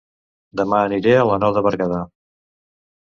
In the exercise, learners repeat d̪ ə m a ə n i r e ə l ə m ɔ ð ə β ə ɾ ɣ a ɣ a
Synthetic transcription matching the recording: d̪ ə m a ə n i ɾ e ə l ə n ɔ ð ə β ə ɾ ɣ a ð a

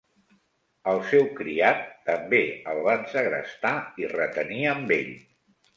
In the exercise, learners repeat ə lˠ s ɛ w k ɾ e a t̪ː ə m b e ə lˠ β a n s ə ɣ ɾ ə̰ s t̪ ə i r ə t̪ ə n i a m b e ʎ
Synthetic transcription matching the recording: ə lˠ s ɛ w k ɾ i a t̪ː ə m b e ə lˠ β a n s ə ɣ ɾ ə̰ s t̪ a i r ə t̪ ə n i ə m b e ʎ

